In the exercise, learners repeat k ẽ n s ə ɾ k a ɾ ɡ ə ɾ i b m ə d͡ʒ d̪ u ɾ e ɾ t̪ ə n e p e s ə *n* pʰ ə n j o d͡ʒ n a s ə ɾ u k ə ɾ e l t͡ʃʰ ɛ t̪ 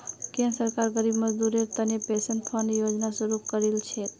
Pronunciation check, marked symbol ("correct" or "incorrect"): correct